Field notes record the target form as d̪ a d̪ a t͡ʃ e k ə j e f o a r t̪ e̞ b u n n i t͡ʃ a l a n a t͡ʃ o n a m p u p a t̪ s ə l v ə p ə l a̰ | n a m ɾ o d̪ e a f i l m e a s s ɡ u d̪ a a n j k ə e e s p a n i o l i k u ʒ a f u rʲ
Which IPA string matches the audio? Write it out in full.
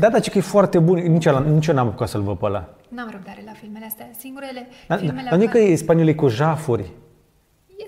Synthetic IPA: d̪ a d̪ a t͡ʃ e k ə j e f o a r t̪ e̞ b u n n i t͡ʃ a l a n i t͡ʃ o n a m p u k a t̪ s ə l v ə p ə l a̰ | n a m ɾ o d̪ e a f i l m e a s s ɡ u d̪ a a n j k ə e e s p a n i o l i k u ʒ a f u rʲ